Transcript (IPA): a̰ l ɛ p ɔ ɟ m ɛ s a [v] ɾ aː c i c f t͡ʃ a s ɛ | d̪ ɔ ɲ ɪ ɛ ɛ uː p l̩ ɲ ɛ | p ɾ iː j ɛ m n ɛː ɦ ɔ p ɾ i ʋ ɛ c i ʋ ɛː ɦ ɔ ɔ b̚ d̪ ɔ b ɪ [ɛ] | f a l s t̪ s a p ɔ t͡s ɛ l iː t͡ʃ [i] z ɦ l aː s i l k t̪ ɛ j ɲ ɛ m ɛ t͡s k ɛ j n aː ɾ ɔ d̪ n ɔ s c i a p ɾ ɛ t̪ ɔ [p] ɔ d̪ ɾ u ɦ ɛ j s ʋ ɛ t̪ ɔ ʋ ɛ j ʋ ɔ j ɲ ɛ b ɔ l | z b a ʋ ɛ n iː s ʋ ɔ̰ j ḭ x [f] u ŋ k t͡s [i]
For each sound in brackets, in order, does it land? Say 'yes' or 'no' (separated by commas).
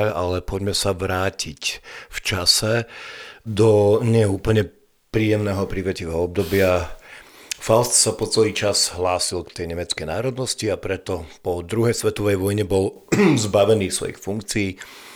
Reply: no, no, no, yes, yes, no